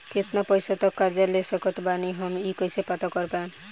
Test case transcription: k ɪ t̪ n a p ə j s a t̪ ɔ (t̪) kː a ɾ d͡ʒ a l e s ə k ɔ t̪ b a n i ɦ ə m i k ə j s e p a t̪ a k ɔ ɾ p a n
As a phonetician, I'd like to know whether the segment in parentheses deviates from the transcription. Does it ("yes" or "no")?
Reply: yes